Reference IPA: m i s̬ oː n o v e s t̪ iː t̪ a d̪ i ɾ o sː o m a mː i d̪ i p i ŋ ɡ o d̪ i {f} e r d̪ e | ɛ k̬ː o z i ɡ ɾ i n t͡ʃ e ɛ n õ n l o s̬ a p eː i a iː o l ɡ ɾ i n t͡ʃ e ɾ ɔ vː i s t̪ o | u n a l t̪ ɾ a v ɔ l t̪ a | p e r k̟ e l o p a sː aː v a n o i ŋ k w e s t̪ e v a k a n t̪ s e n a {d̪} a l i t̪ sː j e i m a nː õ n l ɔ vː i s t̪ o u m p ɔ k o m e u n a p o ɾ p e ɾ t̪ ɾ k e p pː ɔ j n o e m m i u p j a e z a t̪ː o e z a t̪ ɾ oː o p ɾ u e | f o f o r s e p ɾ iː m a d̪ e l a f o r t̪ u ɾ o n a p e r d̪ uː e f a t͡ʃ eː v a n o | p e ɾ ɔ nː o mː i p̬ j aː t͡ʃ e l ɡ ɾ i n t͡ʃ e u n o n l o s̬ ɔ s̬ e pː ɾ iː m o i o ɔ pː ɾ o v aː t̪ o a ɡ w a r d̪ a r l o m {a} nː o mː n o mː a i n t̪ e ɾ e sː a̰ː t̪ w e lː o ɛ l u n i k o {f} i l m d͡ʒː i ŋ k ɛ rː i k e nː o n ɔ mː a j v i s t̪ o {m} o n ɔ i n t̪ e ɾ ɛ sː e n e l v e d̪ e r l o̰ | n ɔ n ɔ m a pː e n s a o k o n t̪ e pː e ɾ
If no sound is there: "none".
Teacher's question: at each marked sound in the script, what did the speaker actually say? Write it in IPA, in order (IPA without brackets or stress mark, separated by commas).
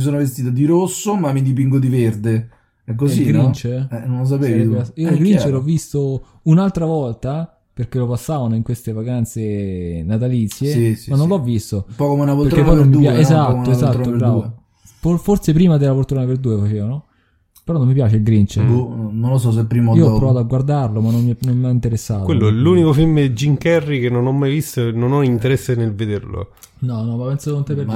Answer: v, t̪, a, f, n